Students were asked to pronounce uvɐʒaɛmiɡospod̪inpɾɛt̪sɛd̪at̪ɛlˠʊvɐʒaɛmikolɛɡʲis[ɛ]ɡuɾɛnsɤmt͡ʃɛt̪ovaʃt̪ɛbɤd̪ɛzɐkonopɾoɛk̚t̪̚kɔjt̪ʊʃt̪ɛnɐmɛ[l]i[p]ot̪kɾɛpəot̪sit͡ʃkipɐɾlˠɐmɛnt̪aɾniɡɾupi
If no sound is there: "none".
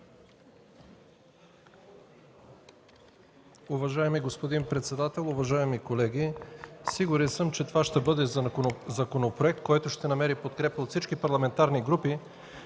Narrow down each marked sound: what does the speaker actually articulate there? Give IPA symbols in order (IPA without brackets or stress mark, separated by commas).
i, ɾ, p